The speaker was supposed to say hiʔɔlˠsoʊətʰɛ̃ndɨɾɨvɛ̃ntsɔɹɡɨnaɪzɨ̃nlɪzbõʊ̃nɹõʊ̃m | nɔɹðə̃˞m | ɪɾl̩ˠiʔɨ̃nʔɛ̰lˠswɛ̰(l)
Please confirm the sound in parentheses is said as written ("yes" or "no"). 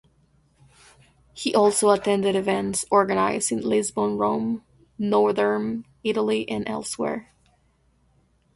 no